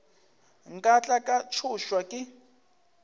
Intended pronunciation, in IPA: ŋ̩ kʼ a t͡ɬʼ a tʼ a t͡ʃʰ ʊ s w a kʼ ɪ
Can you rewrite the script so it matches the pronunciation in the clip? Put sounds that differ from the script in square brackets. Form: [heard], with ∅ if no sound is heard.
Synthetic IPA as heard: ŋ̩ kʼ a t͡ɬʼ a [kʼ] a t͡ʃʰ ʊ [ʃ] w a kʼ ɪ